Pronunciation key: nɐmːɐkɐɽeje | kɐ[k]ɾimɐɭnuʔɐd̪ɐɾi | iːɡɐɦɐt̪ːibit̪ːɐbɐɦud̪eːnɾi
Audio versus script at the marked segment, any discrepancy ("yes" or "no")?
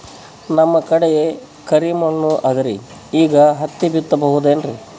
yes